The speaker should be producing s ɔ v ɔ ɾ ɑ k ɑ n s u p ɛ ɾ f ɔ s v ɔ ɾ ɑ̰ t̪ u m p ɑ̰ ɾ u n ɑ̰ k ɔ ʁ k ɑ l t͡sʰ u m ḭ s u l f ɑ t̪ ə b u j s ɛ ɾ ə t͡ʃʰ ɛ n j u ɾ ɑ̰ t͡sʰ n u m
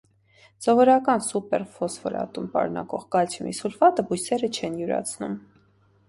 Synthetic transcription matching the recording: s ɔ v ɔ ɾ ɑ k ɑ n s u p ɛ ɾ f ɔ s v ɔ ɾ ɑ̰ t̪ u m p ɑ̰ ɾ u n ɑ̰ k ɔ ʁ k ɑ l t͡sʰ u m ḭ s u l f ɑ t̪ ə b u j s ɛ ɾ ə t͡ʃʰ ɛ n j u ɾ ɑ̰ t͡sʰ n u m